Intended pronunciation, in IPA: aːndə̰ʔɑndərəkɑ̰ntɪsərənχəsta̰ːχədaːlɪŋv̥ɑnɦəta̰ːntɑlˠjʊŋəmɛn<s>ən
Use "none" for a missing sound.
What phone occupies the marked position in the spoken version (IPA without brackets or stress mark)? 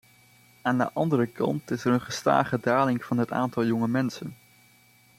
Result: s